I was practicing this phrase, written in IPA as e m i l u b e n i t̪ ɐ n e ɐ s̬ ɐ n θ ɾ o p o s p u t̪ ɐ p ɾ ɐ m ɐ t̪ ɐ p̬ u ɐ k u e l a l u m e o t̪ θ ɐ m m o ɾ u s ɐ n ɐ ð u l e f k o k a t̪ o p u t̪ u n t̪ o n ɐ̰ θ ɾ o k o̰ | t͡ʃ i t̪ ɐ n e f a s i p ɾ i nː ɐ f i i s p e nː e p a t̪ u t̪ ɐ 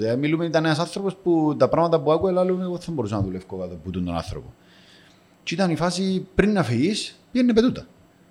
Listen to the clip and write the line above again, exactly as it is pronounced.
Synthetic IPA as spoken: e m i l u m e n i t̪ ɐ n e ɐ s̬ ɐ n θ ɾ o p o s p u t̪ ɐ p ɾ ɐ m ɐ t̪ ɐ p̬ u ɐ k u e l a l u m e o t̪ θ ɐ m b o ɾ u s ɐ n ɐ ð u l e f k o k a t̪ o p u t̪ u n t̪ o n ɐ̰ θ ɾ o p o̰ | t͡ʃ i t̪ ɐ n i f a s i p ɾ i nː ɐ f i i s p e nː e p e t̪ u t̪ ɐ